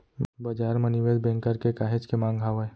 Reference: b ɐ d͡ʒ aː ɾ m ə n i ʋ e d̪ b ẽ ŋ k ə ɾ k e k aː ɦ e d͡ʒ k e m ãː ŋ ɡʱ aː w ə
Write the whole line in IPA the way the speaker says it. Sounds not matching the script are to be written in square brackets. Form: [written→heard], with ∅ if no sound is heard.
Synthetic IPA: b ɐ d͡ʒ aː ɾ m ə n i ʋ e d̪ b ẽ ŋ k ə ɾ k e k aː ɦ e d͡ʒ k e m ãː ŋ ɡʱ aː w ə